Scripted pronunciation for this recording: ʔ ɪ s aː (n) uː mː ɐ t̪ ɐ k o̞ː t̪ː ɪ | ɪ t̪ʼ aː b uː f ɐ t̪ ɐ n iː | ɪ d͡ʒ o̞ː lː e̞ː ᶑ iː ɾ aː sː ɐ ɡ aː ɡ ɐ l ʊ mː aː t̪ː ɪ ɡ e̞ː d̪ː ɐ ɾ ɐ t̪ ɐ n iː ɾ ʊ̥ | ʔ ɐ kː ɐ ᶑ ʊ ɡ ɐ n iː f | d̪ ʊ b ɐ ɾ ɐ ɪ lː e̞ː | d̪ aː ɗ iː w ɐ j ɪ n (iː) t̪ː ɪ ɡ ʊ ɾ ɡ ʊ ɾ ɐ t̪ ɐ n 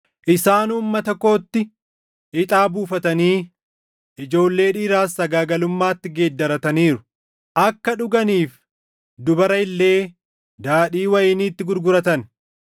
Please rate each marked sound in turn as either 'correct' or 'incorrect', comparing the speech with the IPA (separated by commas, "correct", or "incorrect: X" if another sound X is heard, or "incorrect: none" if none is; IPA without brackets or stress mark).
correct, correct